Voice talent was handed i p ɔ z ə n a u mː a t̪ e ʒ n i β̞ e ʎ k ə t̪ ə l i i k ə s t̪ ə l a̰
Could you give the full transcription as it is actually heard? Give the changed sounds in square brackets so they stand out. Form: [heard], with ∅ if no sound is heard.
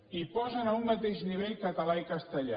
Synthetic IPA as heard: i p ɔ z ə n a u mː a t̪ e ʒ n i β̞ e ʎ k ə t̪ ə l [a] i k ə s t̪ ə [ʎ] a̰